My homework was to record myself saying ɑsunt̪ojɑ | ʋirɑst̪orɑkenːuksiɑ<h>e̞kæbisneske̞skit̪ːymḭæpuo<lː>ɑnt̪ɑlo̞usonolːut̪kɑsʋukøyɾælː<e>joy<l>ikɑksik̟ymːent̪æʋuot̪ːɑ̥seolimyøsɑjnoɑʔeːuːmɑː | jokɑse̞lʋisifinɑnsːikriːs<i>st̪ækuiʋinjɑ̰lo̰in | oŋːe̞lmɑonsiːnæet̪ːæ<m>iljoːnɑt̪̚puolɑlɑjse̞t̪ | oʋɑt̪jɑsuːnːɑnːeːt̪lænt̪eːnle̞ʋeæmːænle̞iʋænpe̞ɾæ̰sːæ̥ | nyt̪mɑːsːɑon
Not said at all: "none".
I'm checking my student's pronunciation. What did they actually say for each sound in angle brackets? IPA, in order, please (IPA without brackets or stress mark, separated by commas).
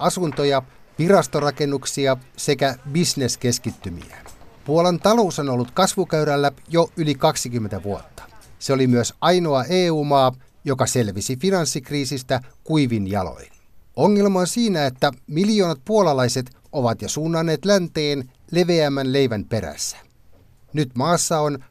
s, l, æ, l, i, m